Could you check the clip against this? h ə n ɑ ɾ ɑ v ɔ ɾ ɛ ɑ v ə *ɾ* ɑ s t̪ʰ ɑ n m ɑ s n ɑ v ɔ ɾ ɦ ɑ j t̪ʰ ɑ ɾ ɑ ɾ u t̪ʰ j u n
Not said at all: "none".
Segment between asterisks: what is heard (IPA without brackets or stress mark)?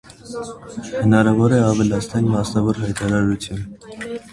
l